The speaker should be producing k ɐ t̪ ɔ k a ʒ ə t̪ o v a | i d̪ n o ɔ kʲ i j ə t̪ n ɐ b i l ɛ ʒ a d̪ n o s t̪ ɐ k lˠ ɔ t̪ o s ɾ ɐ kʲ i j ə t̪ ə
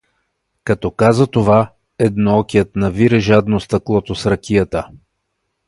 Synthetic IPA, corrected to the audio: k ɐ t̪ ɔ k a z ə t̪ o v a | ɛ d̪ n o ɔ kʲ i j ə t̪ n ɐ v i ɾ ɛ ʒ a d̪ n o s t̪ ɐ k lˠ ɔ t̪ o s ɾ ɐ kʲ i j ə t̪ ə